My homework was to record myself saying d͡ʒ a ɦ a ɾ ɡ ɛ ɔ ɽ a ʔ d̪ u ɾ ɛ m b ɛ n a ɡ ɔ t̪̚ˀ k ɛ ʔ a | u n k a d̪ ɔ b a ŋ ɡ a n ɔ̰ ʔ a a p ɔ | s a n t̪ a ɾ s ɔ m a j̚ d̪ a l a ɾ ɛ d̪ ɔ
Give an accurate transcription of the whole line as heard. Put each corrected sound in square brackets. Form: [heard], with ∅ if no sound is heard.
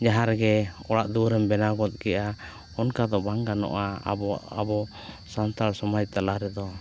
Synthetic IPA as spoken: d͡ʒ a ɦ a ɾ ɡ ɛ ɔ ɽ a ʔ d̪ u ɾ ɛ m b ɛ n a ɡ ɔ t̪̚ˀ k ɛ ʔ a | [ɔ] n k a d̪ ɔ b a ŋ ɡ a n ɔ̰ ʔ a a [b] ɔ | s a n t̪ a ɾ s ɔ m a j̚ [t̪] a l a ɾ ɛ d̪ ɔ

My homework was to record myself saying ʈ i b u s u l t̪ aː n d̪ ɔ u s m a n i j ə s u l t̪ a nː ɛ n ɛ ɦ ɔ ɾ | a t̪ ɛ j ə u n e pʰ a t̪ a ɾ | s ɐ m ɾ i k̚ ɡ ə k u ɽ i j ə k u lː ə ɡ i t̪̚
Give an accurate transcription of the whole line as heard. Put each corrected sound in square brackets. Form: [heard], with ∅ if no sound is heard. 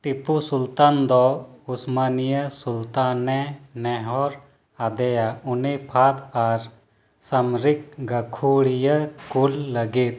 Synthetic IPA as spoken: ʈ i [p] u s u l t̪ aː n d̪ ɔ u s m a n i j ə s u l t̪ a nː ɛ n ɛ ɦ ɔ ɾ | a [d̪] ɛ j [a] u n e pʰ a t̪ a ɾ | s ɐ m ɾ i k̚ ɡ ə [kʰ] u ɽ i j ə k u lː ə ɡ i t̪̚

